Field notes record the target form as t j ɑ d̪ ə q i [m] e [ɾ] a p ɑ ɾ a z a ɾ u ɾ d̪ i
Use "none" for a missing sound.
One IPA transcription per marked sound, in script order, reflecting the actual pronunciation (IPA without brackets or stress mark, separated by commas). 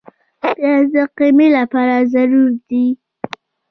m, l